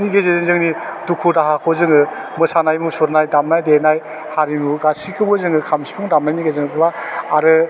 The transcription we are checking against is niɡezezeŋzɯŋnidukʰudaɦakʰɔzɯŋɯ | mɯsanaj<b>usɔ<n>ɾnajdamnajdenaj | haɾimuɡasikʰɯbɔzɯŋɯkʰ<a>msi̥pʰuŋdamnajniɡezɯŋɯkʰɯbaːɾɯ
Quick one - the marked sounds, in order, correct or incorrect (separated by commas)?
incorrect, incorrect, correct